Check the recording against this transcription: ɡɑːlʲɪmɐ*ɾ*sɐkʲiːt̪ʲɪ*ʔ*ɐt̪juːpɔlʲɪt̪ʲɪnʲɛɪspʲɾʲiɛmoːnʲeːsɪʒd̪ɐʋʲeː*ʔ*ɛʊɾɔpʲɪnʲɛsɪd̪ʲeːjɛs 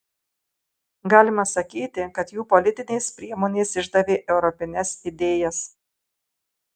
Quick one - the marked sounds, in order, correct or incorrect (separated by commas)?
incorrect, incorrect, correct